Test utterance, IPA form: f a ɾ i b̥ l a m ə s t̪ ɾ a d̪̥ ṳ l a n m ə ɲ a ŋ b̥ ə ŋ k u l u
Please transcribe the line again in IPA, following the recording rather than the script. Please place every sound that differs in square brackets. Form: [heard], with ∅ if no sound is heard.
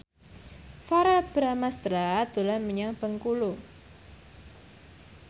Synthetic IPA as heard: f a ɾ [a] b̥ [ɾ] a m [a] s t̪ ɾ a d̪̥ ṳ l a n m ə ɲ a ŋ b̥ ə ŋ k u l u